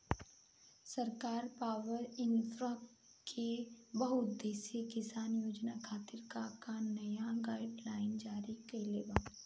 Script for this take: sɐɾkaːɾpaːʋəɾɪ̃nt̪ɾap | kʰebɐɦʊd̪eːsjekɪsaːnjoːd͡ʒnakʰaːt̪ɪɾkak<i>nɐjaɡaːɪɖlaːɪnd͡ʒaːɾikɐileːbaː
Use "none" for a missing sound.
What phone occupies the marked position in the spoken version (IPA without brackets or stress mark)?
a